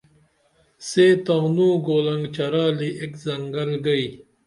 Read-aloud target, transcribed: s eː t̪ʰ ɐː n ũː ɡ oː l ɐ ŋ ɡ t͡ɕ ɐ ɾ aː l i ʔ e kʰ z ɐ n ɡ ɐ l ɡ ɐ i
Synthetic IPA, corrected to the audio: s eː t̪ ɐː n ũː ɡ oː l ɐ ŋ ɡ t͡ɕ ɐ ɾ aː l i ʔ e k z ɐ ŋ ɡ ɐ l ɡ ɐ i

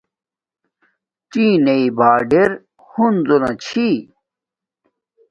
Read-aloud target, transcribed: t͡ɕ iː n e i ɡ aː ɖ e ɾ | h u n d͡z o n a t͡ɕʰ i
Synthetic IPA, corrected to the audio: t͡ɕ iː n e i b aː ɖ e ɾ | h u n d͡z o n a t͡ɕʰ i

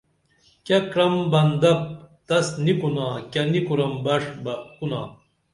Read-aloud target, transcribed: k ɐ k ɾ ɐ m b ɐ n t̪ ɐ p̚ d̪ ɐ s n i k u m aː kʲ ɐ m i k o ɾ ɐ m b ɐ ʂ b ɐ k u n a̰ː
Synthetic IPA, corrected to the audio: k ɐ k ɾ ɐ m b ɐ n d̪ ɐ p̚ t̪ ɐ s n i k u n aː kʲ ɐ n i k u ɾ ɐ m b ɐ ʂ b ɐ k u n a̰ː

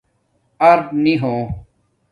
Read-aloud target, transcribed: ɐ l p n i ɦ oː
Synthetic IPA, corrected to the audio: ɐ ɾ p n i ɦ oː

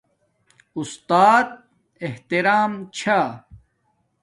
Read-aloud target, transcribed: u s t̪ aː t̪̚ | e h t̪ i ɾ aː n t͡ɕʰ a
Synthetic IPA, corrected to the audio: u s t̪ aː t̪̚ | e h t̪ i ɾ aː m t͡ɕʰ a

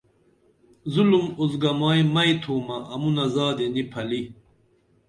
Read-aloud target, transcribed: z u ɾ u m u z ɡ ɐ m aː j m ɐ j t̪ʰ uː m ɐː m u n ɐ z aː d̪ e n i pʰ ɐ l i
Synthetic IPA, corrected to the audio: z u l u m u z ɡ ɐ m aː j m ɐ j t̪ʰ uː m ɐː m u n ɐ z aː d̪ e n i pʰ ɐ l i

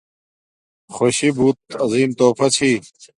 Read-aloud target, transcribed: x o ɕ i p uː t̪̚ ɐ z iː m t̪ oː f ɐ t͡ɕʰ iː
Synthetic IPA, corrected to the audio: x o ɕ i b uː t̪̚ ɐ z iː m t̪ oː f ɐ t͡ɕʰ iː

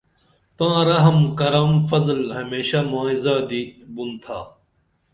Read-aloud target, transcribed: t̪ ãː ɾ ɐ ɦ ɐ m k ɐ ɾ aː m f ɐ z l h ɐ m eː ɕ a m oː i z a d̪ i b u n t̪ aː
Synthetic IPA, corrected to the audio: t̪ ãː ɾ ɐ ɦ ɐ m k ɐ ɾ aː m f ɐ z l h ɐ m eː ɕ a m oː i z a d̪ i b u n t̪ʰ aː

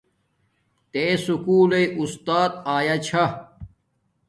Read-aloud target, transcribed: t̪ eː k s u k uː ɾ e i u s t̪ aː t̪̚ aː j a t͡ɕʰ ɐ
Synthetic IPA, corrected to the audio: t̪ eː s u k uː l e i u s t̪ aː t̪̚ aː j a t͡ɕʰ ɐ

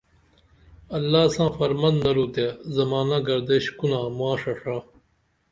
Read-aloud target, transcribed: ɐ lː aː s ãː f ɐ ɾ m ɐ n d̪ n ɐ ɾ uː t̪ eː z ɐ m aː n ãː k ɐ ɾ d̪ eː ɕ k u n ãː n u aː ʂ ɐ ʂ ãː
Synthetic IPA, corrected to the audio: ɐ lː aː s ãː f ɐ ɾ m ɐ n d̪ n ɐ ɾ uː t̪ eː z ɐ m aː n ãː ɡ ɐ ɾ d̪ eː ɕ k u n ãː m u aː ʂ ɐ ʂ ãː

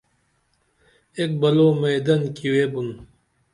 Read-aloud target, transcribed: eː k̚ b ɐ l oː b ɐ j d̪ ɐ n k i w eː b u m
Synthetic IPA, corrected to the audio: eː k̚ b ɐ l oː m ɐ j d̪ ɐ n k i w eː b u n

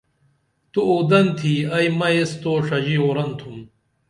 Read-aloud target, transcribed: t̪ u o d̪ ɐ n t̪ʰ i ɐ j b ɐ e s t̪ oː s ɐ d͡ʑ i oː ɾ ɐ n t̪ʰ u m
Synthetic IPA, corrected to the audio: t̪ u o d̪ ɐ n t̪ʰ i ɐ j m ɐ e s t̪ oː ʂ ɐ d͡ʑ i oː ɾ ɐ n t̪ʰ u m

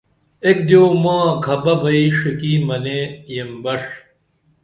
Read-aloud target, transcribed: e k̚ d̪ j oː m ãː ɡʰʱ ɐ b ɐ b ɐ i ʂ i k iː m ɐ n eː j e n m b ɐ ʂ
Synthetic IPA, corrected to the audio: e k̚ d̪ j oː m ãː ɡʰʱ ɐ b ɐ b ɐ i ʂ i k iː m ɐ n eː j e m b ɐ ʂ

